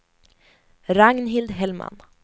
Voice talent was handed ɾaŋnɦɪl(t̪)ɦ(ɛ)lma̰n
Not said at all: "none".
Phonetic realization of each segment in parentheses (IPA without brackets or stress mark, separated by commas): d̪, ɛ